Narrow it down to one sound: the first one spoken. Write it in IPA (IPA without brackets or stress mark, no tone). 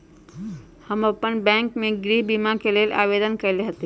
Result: h